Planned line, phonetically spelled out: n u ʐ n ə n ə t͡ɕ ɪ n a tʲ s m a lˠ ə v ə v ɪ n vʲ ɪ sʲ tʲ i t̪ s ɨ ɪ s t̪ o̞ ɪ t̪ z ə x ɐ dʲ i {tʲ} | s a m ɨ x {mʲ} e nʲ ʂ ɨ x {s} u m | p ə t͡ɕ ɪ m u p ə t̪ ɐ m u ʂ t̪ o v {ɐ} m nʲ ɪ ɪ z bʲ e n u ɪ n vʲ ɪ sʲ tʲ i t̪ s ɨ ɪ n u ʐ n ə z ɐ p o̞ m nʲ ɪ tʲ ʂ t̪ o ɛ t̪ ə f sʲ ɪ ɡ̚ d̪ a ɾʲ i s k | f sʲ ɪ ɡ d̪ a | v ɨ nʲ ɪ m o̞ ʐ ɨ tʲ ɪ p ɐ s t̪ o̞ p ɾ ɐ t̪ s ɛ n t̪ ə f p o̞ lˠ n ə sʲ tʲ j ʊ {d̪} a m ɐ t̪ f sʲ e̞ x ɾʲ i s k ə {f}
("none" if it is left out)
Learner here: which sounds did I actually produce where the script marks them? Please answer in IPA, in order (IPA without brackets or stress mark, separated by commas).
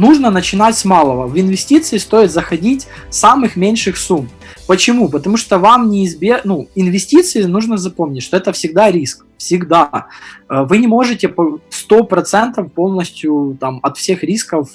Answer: tʲ, mʲ, s, a, t̪, f